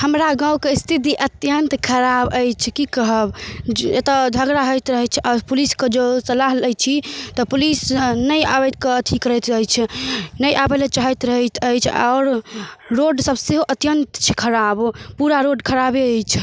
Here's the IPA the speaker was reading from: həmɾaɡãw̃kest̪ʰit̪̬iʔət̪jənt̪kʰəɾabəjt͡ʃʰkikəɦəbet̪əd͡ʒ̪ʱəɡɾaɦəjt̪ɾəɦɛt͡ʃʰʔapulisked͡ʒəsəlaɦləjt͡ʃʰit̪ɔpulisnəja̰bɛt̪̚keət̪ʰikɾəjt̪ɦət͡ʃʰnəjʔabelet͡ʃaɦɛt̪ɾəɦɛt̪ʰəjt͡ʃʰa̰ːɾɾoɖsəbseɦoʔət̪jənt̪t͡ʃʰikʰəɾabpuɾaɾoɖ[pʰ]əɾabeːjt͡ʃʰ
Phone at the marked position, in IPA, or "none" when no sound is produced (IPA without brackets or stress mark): kʰ